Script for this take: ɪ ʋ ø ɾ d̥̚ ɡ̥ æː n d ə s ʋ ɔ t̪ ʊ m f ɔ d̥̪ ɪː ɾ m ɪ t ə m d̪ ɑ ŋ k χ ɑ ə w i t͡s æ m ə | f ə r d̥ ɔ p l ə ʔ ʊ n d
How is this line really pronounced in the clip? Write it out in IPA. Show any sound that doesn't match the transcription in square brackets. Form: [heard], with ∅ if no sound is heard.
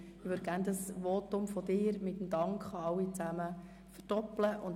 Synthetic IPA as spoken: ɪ ʋ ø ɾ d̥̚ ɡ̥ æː n d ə s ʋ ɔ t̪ ʊ m f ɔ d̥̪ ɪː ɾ m ɪ t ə m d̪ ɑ ŋ k χ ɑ [ɑ] w i t͡s æ m ə | f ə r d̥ ɔ p l ə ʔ ʊ n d